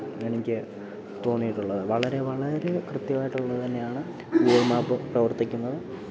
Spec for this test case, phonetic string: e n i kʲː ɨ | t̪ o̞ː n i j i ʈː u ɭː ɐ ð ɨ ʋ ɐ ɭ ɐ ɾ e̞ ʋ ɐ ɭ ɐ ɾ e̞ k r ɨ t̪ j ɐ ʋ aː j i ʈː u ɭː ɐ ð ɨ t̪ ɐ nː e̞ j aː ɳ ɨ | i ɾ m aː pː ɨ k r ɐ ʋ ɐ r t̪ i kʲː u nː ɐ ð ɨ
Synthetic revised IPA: e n i kʲː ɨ | t̪ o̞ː nː i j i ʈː u ɭː ɐ ð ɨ ʋ ɐ ɭ ɐ ɾ e̞ ʋ ɐ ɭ ɐ ɾ e̞ k r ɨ t̪ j ɐ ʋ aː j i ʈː u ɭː ɐ ð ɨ t̪ ɐ nː e̞ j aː ɳ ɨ | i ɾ m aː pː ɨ p r ɐ ʋ ɐ r t̪ i kʲː u nː ɐ ð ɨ